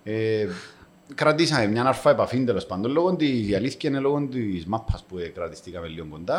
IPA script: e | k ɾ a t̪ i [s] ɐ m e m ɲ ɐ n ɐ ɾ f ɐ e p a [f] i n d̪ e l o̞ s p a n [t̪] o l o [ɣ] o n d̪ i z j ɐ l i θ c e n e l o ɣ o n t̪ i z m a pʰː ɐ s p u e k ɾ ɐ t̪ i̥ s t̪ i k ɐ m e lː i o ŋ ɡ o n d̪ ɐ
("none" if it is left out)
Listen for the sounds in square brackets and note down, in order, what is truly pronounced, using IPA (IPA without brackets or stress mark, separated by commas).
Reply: s, f, d̪, ɣ